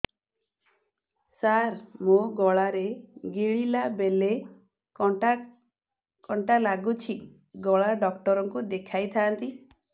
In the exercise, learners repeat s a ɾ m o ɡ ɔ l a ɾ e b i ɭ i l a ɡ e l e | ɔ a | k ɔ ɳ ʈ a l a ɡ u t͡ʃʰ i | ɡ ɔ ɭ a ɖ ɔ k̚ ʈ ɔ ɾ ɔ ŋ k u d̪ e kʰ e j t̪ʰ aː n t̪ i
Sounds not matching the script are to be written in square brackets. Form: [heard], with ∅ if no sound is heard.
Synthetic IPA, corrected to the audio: s a ɾ m o ɡ ɔ [ɭ] a ɾ e [ɡ] i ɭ i l a [b] e l e | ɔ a | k ɔ ɳ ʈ a l a ɡ u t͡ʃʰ i | ɡ ɔ ɭ a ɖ ɔ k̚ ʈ ɔ ɾ ɔ ŋ k u d̪ e kʰ [a] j t̪ʰ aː n t̪ i

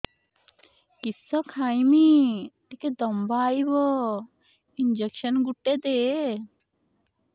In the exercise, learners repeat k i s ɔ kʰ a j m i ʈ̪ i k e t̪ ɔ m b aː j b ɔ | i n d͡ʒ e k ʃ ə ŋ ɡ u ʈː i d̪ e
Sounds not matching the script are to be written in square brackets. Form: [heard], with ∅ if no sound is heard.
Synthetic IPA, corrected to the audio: k i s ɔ kʰ a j m i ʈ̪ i k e [d̪] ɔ m b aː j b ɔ | i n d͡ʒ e k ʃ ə [n] ɡ u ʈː [e] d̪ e

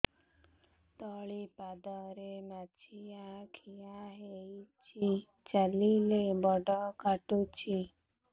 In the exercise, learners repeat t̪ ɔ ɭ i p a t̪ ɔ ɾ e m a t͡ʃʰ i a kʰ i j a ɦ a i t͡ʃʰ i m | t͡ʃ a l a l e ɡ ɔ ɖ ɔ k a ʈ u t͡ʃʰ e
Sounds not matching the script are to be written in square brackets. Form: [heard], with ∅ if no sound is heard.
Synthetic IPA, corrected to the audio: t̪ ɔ ɭ i p a [d̪] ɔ ɾ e m a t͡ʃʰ i a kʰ i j a ɦ [e] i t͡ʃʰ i [∅] | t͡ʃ a l [i] l e [b] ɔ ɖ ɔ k a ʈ u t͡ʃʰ [i]

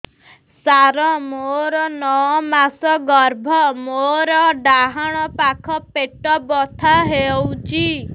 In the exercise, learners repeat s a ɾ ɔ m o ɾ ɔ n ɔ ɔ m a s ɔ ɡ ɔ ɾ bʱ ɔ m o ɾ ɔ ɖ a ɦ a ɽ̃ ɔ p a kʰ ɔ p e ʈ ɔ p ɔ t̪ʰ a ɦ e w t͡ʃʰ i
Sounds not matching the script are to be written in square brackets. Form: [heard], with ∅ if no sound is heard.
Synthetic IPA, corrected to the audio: s a ɾ ɔ m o ɾ ɔ n ɔ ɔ m a s ɔ ɡ ɔ ɾ bʱ ɔ m o ɾ ɔ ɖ a ɦ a ɽ̃ ɔ p a kʰ ɔ p e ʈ ɔ [b] ɔ t̪ʰ a ɦ e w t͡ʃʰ i

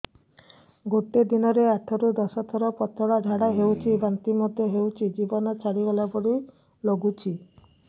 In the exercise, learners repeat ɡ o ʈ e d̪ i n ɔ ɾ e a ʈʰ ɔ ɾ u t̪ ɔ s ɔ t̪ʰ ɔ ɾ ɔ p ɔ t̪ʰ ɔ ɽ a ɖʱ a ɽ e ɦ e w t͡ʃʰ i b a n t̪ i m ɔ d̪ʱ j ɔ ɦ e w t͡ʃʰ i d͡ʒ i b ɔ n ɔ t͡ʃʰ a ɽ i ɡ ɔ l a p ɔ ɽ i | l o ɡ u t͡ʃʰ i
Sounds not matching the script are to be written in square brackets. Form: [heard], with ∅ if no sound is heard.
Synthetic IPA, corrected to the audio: ɡ o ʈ e d̪ i n ɔ ɾ e a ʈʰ ɔ ɾ u [d̪] ɔ s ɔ t̪ʰ ɔ ɾ ɔ p ɔ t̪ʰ ɔ ɽ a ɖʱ a ɽ [a] ɦ e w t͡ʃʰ i b a n t̪ i m ɔ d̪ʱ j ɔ ɦ e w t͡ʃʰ i d͡ʒ i b ɔ n ɔ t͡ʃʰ a ɽ i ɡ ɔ l a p ɔ ɽ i | l o ɡ u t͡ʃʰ i

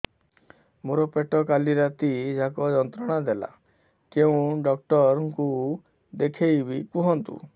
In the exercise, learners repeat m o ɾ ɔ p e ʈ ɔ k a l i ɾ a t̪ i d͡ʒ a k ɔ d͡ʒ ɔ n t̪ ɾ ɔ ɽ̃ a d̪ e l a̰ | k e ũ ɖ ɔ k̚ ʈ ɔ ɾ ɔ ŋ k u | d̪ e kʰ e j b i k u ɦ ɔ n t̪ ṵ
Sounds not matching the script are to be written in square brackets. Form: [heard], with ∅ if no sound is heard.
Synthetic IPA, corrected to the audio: m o ɾ ɔ p e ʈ ɔ k a l i ɾ a t̪ i d͡ʒ a k ɔ d͡ʒ ɔ n t̪ ɾ ɔ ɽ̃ a d̪ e l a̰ | k e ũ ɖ ɔ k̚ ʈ ɔ ɾ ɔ ŋ k u | d̪ e kʰ e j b i k u ɦ ɔ n t̪ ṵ

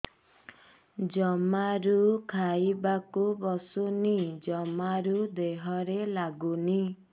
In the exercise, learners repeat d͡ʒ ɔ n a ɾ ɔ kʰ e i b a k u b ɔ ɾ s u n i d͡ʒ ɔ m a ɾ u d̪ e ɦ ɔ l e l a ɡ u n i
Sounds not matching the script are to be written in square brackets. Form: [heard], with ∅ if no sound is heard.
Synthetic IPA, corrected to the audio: d͡ʒ ɔ [m] a ɾ [u] kʰ [a] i b a k u b ɔ [∅] s u n i d͡ʒ ɔ m a ɾ u d̪ e ɦ ɔ [ɾ] e l a ɡ u n i

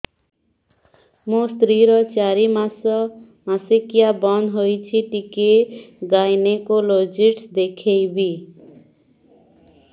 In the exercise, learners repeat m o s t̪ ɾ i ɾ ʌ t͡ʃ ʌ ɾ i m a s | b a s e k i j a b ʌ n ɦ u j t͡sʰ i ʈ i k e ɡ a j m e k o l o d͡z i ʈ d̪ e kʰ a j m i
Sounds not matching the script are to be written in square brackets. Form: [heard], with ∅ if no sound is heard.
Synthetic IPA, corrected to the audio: m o s t̪ ɾ i ɾ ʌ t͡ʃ [a] ɾ i m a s | [m] a s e k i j a b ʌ n ɦ [o] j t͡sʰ i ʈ i k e ɡ a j [n] e k o l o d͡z i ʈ d̪ e kʰ [e] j [b] i

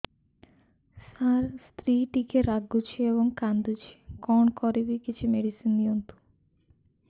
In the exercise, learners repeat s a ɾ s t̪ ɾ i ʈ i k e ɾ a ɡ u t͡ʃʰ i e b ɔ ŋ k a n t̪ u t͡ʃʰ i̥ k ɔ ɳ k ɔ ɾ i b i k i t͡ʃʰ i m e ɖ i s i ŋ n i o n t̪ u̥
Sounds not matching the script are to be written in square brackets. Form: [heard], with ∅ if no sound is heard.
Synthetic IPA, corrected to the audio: s a ɾ s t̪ ɾ i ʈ i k e ɾ a ɡ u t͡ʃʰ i e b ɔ ŋ k a n [d̪] u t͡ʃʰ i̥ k ɔ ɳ k ɔ ɾ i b i k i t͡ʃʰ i m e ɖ i s i [n] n i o n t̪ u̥

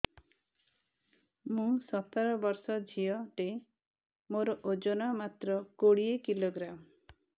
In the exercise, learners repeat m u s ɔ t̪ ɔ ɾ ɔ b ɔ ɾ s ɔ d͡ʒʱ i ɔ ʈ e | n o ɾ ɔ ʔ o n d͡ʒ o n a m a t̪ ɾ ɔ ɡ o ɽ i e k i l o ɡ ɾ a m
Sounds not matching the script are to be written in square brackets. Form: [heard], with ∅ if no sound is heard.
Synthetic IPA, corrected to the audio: m [ũ] s ɔ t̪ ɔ ɾ ɔ b ɔ ɾ s ɔ d͡ʒʱ i ɔ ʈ e | [m] o ɾ ɔ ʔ o [∅] d͡ʒ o n a m a t̪ ɾ ɔ [k] o ɽ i e k i l o ɡ ɾ a m

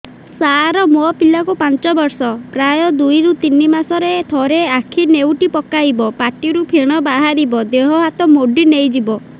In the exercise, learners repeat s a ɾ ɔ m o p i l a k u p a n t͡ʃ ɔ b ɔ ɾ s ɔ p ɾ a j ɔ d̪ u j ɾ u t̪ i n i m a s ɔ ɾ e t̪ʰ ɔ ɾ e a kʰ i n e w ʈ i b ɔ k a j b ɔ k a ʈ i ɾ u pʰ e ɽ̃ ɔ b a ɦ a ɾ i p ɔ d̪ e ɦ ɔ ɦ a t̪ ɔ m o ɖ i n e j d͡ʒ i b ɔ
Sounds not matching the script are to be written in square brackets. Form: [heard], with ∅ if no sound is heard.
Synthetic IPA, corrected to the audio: s a ɾ ɔ m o p i l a k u p a n t͡ʃ ɔ b ɔ ɾ s ɔ p ɾ a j ɔ d̪ u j ɾ u t̪ i n i m a s ɔ ɾ e t̪ʰ ɔ ɾ e a kʰ i n e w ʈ i [p] ɔ k a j b ɔ [p] a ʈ i ɾ u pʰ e ɽ̃ ɔ b a ɦ a ɾ i [b] ɔ d̪ e ɦ ɔ ɦ a t̪ ɔ m o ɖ i n e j d͡ʒ i b ɔ

